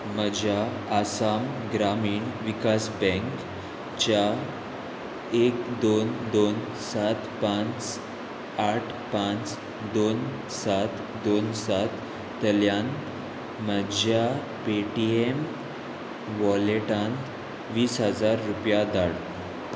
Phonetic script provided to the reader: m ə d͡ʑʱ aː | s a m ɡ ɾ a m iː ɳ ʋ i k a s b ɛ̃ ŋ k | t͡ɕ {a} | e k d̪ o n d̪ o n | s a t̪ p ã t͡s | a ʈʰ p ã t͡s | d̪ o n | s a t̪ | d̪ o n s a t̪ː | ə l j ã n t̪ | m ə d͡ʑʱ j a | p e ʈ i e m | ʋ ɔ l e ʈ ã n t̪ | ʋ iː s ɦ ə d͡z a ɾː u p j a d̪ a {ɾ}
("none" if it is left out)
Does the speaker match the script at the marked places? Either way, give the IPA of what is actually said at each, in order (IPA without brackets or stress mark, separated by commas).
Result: a, ɽ